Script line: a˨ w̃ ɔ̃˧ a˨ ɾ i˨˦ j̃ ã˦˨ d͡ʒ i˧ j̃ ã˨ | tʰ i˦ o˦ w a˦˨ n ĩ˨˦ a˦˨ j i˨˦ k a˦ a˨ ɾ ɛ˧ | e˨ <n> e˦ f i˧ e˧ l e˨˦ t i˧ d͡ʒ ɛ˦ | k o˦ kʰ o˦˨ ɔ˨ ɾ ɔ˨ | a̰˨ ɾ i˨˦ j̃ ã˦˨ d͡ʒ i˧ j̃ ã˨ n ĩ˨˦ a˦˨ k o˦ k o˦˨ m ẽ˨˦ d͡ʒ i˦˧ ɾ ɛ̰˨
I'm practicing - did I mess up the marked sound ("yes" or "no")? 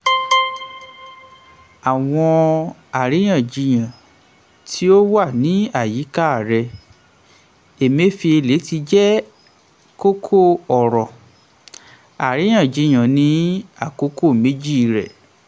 yes